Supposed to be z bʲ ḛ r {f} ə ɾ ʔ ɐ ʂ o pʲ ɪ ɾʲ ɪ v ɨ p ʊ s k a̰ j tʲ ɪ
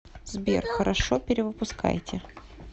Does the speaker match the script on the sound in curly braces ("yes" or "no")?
no